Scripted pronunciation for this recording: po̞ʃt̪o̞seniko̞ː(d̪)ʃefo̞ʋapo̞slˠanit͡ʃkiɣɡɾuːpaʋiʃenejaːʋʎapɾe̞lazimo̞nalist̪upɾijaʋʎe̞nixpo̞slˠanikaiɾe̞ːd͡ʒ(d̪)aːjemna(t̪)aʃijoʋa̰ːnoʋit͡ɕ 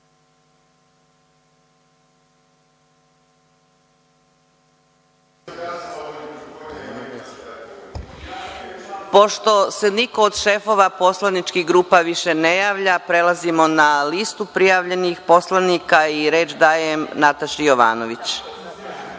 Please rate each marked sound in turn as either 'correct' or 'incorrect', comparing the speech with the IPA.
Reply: correct, correct, correct

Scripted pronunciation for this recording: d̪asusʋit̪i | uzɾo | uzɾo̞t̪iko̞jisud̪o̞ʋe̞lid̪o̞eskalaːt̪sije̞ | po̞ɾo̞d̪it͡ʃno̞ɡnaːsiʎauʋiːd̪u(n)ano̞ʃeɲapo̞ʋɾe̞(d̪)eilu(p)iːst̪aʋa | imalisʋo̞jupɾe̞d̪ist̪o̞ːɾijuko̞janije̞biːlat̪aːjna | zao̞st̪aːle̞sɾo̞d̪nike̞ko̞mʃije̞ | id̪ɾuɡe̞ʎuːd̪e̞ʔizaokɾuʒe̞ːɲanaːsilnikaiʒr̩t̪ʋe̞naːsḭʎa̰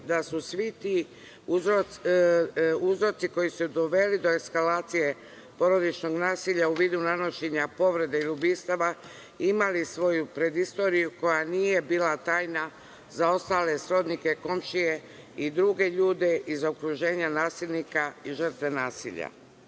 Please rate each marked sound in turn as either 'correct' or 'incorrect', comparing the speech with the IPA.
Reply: correct, correct, incorrect: b

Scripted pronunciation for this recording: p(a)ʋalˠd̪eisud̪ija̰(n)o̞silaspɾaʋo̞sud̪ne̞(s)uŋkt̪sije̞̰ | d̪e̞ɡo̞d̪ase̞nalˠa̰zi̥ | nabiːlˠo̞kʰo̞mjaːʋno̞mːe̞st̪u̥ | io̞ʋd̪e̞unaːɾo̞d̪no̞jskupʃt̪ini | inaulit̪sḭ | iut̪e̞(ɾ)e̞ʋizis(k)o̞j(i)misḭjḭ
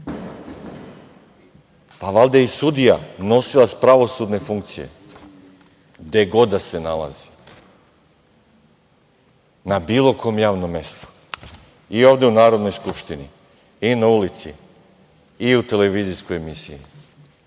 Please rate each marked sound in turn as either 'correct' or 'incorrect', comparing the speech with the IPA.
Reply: correct, correct, incorrect: f, incorrect: l, correct, incorrect: e

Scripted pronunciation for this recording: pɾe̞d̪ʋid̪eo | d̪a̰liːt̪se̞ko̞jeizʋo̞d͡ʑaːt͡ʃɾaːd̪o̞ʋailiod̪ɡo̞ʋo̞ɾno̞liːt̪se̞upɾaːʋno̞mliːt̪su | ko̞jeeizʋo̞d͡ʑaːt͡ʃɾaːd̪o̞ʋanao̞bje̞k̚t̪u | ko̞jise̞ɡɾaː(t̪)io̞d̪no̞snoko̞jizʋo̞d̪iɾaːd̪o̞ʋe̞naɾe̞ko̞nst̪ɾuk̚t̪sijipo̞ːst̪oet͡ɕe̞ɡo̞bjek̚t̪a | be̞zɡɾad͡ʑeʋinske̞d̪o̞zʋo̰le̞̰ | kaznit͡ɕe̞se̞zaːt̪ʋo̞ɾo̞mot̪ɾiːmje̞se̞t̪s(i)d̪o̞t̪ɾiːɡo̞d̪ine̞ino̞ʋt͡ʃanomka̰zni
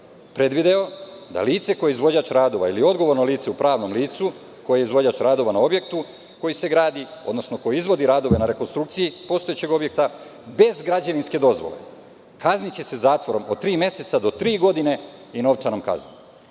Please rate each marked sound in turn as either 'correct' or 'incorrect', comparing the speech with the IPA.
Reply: incorrect: d̪, incorrect: a

